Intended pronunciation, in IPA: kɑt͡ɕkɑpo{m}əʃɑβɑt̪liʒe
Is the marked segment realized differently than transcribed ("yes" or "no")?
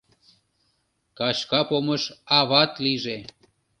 no